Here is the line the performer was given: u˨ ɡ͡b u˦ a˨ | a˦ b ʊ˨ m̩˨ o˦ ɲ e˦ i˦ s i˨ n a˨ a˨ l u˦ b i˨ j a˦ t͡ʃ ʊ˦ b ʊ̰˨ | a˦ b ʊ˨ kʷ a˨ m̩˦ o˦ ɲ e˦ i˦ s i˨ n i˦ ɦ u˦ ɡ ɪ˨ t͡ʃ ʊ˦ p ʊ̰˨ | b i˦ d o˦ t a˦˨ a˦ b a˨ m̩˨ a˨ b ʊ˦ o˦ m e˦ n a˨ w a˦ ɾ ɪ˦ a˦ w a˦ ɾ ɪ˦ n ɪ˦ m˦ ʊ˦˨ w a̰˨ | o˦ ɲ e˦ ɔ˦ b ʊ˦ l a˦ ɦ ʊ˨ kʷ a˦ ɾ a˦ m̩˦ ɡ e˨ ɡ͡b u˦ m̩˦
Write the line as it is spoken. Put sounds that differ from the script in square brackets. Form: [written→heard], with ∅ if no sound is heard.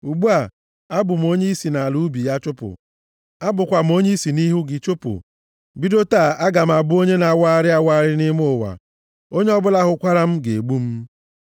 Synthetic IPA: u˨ ɡ͡b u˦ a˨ | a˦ b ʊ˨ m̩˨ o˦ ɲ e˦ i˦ s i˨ n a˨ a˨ l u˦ b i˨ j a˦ t͡ʃ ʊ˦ [b→p] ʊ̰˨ | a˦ b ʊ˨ kʷ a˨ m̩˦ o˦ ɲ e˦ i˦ s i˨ n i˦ ɦ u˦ ɡ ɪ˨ t͡ʃ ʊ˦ p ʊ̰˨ | b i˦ d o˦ t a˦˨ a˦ [b→ɡ] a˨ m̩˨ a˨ b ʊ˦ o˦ [m→ɲ] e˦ n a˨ w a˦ ɾ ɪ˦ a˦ w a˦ ɾ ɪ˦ n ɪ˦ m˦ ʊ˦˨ w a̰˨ | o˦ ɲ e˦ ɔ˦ b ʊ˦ l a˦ ɦ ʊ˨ kʷ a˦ ɾ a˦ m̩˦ ɡ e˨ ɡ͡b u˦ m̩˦